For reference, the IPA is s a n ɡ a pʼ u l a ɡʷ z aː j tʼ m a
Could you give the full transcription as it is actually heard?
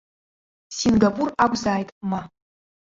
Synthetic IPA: s i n ɡ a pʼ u r a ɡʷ z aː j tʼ m a